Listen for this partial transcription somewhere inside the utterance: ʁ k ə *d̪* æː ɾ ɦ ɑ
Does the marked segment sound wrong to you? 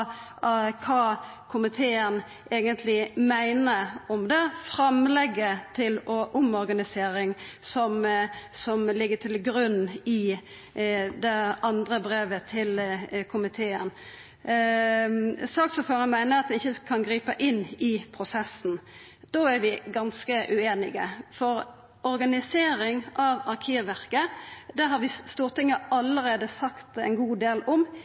no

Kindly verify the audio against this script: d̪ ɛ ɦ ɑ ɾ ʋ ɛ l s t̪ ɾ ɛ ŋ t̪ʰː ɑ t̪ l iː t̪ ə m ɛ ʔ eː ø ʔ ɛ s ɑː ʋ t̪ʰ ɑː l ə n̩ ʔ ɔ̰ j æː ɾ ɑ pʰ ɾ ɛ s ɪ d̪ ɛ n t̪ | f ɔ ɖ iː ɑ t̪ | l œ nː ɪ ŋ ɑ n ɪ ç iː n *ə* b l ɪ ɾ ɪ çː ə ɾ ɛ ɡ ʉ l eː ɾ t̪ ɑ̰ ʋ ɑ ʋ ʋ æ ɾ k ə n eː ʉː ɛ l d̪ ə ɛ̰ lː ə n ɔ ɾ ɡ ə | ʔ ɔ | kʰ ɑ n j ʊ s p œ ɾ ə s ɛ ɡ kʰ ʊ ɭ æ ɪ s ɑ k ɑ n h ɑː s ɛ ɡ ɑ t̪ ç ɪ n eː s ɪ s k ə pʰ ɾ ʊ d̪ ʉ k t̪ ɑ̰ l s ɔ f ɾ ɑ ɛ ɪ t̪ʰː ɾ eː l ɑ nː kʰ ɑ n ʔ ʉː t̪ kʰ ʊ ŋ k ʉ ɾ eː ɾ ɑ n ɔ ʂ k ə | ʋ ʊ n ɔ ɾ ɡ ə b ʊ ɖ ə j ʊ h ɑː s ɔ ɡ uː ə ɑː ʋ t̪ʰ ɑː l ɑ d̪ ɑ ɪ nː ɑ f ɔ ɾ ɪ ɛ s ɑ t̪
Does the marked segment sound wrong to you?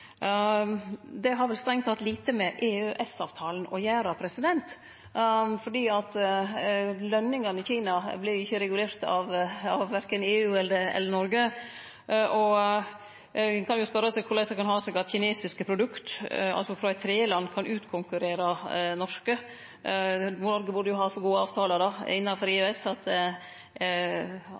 yes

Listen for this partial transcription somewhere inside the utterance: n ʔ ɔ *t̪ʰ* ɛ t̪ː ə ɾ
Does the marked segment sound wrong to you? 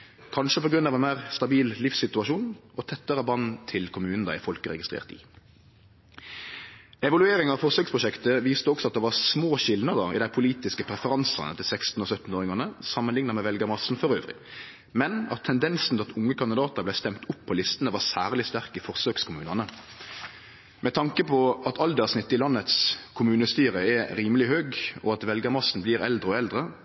no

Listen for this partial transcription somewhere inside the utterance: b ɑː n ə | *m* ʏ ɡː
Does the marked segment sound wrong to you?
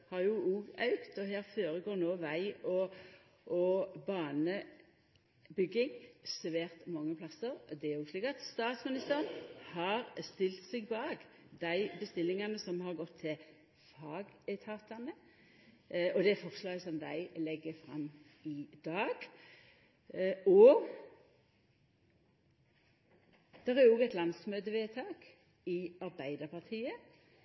yes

